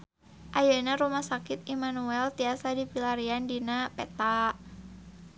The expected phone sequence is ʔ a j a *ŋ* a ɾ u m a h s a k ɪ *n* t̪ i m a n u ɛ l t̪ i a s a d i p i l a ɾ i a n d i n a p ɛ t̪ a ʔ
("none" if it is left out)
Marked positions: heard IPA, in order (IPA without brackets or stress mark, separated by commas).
n, none